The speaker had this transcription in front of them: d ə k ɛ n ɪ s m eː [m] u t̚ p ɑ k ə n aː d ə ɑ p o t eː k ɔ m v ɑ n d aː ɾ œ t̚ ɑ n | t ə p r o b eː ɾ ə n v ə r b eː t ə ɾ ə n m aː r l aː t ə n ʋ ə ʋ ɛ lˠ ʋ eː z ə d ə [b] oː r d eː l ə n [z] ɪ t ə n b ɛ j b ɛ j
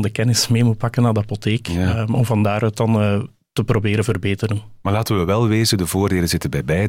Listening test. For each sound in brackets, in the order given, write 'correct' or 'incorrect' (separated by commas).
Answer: correct, incorrect, correct